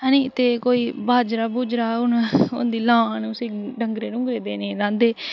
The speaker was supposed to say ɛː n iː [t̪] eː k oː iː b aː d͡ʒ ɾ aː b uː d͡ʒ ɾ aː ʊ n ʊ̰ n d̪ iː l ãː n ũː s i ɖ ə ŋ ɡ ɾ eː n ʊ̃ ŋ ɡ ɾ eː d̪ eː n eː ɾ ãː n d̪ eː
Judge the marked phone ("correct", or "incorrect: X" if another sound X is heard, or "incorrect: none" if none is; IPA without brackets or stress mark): correct